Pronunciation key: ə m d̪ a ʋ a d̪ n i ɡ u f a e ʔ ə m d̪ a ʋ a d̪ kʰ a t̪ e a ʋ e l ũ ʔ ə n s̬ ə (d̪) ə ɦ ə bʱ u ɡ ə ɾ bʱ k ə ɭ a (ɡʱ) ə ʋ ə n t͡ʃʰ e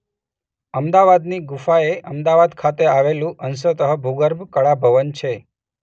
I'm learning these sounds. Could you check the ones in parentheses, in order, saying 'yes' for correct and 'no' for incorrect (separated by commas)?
no, no